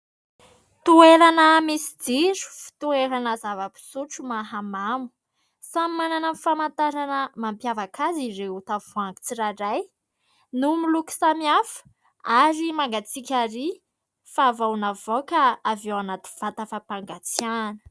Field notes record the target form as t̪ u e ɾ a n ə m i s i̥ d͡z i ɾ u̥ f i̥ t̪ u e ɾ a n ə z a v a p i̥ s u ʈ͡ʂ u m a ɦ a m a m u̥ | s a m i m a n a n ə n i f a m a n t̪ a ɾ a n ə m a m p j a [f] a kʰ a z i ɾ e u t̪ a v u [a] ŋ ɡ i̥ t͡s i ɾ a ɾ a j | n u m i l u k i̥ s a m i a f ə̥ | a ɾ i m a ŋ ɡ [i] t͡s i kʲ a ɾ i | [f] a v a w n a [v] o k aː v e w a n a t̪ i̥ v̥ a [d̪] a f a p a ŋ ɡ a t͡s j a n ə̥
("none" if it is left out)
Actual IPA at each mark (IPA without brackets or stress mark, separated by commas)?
v, a, a, f, v, t̪